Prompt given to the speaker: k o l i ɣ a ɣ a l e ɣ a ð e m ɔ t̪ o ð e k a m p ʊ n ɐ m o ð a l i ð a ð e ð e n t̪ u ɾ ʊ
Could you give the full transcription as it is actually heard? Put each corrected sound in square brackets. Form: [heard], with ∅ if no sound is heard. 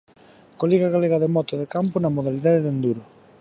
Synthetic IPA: k o l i ɣ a ɣ a l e ɣ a ð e m ɔ t̪ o ð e k a m p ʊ n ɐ m o ð a l i ð a ð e ð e n [d̪] u ɾ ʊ